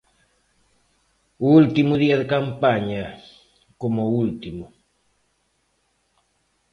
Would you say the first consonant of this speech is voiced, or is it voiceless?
voiced